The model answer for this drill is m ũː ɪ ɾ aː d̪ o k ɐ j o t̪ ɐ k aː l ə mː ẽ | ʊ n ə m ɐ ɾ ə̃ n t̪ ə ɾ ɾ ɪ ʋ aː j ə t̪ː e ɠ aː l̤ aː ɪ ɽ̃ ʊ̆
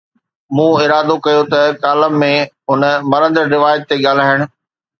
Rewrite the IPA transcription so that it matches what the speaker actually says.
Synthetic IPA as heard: m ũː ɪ ɾ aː d̪ o k ɐ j o t̪ ɐ k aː l ə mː ẽ | ʊ n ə m ɐ ɾ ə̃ n d̪ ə ɾ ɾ ɪ ʋ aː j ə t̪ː e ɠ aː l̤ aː ɪ ɽ̃ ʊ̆